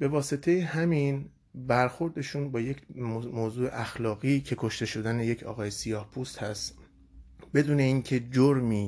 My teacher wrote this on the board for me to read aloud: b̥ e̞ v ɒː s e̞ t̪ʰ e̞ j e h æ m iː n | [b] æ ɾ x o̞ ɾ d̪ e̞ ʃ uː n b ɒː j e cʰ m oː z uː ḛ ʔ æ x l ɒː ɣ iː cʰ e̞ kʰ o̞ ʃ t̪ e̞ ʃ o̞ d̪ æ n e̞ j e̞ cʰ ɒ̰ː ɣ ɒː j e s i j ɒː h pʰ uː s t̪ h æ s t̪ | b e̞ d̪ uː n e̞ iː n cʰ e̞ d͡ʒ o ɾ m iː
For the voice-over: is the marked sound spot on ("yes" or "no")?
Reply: yes